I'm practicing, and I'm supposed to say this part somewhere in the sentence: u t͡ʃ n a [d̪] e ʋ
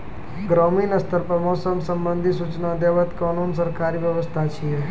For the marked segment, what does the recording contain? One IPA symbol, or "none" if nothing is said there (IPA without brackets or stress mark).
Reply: d̪